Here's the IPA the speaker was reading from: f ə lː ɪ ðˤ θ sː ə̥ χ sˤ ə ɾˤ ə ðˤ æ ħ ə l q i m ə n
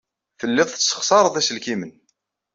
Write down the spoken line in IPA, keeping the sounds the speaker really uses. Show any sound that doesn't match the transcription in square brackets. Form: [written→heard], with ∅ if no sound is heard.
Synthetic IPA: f ə lː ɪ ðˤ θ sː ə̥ χ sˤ [ə→ɑ] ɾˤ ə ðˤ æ [ħ→s] ə l [q→k] i m ə n

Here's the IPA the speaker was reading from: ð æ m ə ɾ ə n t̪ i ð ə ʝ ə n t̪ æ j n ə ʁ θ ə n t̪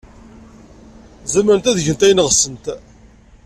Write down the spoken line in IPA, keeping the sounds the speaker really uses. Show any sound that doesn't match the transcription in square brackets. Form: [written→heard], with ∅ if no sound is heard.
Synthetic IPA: [ð→z] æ m ə ɾ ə n t̪ [i→æ] ð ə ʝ ə n t̪ æ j n ə ʁ [θ→s] ə n t̪

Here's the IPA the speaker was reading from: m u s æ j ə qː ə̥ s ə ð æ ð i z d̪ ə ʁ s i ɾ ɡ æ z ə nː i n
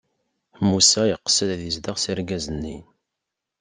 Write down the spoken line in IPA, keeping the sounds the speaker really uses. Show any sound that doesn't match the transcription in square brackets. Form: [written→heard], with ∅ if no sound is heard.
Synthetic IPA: m u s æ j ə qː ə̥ s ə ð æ ð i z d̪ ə ʁ s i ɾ ɡ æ z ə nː i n

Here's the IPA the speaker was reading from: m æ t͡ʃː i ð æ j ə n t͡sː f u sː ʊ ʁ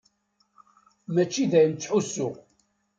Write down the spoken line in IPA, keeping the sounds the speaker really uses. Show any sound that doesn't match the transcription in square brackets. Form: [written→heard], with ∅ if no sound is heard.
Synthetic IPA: m æ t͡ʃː i ð æ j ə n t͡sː [f→ħ] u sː ʊ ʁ

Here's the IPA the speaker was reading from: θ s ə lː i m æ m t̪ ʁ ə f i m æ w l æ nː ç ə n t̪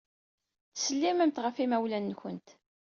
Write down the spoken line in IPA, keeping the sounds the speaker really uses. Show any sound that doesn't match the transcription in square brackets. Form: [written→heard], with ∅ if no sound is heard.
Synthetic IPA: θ s ə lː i m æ m t̪ ʁ ə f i m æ w l æ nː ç ə n t̪

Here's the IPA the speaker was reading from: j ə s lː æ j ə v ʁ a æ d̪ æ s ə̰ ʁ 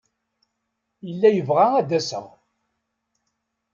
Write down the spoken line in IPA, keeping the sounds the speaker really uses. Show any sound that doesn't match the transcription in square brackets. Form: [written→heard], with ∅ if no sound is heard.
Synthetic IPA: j ə [s→∅] lː æ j ə v ʁ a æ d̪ æ s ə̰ ʁ

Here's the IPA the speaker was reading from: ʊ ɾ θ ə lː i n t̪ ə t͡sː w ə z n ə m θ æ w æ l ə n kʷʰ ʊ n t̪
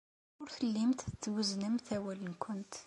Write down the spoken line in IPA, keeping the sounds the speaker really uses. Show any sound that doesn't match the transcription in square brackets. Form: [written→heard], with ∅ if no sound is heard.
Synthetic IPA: ʊ ɾ θ ə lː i [n→m] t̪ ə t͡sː w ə z n ə m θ æ w æ l ə n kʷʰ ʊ n t̪

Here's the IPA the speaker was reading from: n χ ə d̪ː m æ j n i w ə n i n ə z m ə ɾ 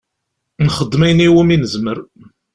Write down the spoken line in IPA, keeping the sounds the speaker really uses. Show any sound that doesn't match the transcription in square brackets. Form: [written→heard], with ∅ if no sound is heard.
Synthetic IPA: n χ ə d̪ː m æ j n i w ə [n→m] i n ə z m ə ɾ

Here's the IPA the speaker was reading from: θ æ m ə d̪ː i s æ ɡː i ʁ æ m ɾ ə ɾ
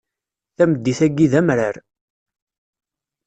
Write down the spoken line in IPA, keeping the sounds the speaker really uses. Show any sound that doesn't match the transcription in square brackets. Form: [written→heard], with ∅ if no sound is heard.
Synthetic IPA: θ æ m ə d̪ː i [s→θ] æ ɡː i [ʁ→ð] æ m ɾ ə ɾ

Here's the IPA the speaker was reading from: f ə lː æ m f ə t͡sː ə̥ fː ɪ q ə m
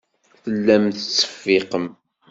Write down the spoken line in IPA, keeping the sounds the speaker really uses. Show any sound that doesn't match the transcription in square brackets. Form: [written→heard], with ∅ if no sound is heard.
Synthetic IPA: [f→θ] ə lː æ m [f→θ] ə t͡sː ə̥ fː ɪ q ə m

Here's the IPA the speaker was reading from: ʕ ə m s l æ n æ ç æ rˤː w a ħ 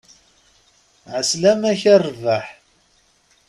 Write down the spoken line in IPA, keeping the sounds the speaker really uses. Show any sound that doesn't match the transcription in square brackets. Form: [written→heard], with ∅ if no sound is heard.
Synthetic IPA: ʕ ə [m→∅] s l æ [n→m] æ ç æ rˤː [w→v] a ħ

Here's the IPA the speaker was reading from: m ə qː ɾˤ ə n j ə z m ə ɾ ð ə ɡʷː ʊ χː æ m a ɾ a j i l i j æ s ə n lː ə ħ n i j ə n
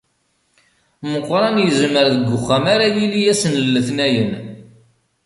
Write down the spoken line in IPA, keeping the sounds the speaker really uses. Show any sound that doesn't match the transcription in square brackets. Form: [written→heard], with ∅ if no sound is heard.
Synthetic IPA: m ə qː ɾˤ [ə→ɑ] n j ə z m ə ɾ ð ə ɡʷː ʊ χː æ m a ɾ a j i l i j æ s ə n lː ə [ħ→θ] n [i→æ] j ə n

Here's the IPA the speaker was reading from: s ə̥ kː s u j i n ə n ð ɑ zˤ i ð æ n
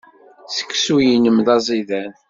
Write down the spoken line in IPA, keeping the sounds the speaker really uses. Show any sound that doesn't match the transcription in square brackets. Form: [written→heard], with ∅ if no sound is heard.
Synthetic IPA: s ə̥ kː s u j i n ə [n→m] ð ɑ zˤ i ð æ n

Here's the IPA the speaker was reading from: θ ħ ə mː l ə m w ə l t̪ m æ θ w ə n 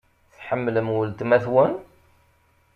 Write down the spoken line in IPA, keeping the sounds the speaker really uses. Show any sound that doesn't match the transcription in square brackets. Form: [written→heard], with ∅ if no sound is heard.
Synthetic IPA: θ ħ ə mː l ə m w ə l t̪ m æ θ w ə n

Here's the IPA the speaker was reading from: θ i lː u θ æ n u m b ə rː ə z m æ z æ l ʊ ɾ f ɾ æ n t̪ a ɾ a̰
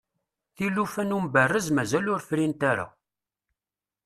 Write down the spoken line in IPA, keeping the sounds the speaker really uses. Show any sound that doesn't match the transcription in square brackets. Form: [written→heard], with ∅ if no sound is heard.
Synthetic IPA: θ i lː u [θ→f] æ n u m b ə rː ə z m æ z æ l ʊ ɾ f ɾ [æ→i] n t̪ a ɾ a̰

